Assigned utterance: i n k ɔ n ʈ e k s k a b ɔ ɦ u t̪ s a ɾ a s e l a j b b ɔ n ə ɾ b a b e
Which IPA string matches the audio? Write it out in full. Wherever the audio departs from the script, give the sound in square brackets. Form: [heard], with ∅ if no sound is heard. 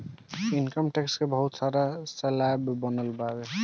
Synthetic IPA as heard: i n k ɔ [m] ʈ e k s k [e] b ɔ ɦ u t̪ s a ɾ a s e l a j b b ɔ n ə [l] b a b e